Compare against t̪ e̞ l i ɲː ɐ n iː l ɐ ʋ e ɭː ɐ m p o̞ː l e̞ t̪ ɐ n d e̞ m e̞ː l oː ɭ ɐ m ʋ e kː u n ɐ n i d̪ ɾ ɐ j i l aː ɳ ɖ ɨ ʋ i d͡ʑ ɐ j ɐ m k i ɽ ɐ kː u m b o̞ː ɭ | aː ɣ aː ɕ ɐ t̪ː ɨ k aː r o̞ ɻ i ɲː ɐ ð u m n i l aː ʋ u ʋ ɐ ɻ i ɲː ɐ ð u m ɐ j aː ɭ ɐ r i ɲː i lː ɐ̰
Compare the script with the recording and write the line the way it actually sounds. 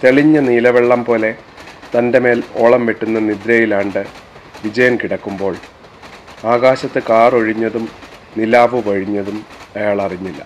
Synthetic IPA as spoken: t̪ e̞ ɭ i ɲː ɐ n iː l ɐ ʋ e ɭː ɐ m p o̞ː l e̞ t̪ ɐ n d e̞ m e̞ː l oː ɭ ɐ m ʋ e ʈː u nː ɐ n i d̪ ɾ ɐ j i l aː ɳ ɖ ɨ ʋ i d͡ʑ ɐ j ɐ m k i ɽ ɐ kː u m b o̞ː ɭ | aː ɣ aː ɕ ɐ t̪ː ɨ k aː r o̞ ɻ i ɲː ɐ ð u m n i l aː ʋ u ʋ ɐ ɻ i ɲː ɐ ð u m ɐ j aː ɭ ɐ r i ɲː i lː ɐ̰